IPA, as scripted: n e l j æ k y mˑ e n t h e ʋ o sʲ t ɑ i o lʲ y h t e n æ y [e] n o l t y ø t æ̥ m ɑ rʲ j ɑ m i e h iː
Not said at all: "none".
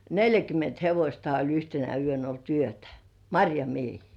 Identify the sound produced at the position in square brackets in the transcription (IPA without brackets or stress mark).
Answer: ø